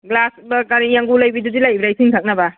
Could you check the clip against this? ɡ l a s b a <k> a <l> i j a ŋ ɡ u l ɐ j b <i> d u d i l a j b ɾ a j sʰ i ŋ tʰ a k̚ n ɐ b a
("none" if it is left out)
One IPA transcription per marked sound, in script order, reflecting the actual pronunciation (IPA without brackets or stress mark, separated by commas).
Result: k, ɾ, i